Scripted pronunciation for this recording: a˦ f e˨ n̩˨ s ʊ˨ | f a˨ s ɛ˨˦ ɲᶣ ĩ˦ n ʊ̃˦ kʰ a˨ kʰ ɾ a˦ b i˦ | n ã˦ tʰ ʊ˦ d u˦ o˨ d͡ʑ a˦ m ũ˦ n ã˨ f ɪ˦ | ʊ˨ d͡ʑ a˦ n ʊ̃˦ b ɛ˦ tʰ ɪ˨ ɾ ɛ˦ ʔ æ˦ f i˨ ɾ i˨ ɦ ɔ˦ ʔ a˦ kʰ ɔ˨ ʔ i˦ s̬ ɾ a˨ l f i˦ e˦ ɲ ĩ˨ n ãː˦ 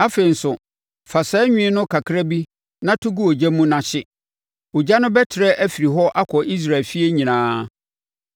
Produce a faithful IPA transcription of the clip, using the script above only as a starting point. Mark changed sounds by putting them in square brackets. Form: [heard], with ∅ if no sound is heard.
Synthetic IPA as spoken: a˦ f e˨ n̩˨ s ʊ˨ | f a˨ s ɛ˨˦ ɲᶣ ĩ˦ n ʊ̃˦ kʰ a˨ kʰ ɾ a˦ b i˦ | n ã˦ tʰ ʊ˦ [ɡ] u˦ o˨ d͡ʑ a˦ m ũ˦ n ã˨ [ɕ] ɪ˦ | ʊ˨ d͡ʑ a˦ n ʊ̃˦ b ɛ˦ tʰ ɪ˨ ɾ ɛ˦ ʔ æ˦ f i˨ ɾ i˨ ɦ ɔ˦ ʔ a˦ kʰ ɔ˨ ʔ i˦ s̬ ɾ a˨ l f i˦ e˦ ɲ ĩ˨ n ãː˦